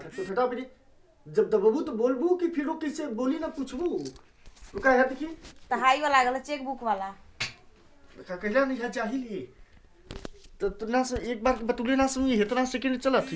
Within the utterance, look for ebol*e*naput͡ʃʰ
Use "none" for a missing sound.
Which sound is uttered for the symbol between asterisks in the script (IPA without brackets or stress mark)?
i